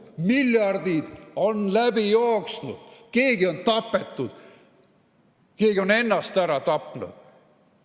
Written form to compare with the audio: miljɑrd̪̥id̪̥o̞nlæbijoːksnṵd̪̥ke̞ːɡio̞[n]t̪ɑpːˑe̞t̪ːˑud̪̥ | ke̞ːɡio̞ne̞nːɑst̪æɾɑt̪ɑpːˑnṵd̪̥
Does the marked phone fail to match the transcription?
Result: no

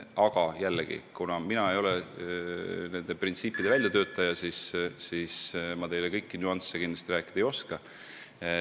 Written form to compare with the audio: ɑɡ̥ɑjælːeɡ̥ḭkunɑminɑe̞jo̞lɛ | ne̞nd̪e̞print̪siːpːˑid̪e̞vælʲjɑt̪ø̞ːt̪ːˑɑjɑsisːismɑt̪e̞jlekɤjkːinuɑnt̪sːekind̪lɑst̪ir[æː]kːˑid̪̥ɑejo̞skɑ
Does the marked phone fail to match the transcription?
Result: no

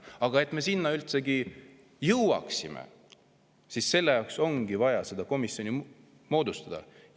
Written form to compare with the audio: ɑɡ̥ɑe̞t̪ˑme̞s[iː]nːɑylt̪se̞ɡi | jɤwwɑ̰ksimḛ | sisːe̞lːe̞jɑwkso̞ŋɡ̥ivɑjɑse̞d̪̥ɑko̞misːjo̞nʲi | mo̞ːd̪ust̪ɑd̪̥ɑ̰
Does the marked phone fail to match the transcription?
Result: yes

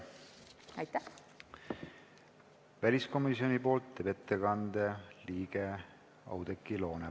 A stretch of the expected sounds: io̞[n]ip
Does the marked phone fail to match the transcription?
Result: no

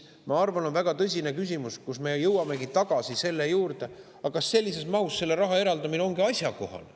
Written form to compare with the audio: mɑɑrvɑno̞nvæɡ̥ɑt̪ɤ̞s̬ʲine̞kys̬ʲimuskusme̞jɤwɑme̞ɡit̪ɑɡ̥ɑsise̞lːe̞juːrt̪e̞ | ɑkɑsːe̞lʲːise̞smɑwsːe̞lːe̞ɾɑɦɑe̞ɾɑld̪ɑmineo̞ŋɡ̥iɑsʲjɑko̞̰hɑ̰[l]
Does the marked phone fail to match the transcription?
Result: no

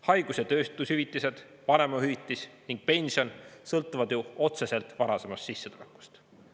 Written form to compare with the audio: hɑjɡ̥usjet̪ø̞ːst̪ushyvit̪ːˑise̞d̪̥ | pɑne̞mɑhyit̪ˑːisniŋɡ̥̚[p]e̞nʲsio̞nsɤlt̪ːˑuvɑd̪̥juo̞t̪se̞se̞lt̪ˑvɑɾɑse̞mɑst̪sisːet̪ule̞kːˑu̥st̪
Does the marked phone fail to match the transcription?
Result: no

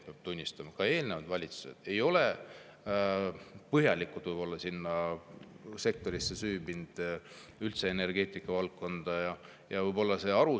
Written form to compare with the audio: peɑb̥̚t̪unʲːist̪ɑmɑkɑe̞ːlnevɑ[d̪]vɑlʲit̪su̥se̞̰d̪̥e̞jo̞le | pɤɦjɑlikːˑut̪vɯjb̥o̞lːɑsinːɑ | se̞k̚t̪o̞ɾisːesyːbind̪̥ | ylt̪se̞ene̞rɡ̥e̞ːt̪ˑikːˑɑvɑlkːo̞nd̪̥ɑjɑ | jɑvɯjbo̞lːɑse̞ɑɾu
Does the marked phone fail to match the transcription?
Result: no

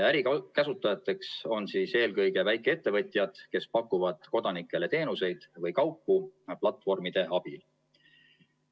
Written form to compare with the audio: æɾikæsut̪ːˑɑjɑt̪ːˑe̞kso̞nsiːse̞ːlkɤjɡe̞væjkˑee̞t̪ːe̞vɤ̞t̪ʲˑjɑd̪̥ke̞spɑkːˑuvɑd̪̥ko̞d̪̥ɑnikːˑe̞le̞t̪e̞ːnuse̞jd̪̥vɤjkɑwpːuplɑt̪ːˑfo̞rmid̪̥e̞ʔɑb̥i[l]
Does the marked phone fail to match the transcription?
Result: no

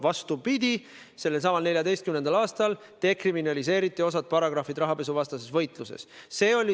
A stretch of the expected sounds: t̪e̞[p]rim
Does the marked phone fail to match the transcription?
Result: yes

